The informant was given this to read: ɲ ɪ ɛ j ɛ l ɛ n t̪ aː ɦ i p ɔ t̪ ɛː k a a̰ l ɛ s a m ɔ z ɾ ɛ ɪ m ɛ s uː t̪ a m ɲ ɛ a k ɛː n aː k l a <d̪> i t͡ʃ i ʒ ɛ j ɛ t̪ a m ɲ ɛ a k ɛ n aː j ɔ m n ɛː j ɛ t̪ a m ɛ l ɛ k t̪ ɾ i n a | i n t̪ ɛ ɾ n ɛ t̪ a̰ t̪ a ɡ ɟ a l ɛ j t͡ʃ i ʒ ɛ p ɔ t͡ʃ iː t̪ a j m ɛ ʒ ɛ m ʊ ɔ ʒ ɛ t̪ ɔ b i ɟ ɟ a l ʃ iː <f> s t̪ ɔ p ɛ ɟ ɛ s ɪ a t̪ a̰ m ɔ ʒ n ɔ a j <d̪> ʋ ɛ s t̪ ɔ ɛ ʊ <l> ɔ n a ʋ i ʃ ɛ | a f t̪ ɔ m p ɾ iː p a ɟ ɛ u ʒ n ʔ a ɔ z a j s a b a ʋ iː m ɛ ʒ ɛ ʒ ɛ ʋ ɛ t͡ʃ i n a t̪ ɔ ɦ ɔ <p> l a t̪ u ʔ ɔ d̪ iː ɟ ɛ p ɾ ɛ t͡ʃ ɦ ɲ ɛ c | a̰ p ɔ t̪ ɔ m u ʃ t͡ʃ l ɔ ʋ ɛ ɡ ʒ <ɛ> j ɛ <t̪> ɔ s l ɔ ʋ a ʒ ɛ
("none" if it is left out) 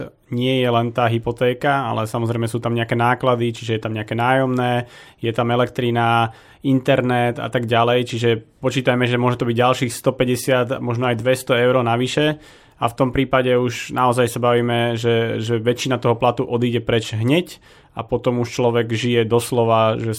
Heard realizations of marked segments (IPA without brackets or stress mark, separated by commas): d̪, x, d̪, ɾ, p, i, d̪